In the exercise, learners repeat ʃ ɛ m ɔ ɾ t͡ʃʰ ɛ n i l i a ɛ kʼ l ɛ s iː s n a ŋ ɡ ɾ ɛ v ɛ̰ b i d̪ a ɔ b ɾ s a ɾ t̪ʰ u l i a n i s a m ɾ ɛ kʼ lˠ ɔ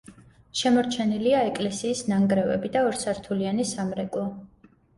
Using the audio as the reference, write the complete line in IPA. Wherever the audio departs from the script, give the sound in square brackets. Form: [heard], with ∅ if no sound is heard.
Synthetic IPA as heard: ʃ ɛ m ɔ ɾ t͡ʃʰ ɛ n i l i a ɛ kʼ l ɛ s iː s n a ŋ ɡ ɾ ɛ v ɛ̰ b i d̪ a ɔ [∅] ɾ s a ɾ t̪ʰ u l i a n i s a m ɾ ɛ kʼ lˠ ɔ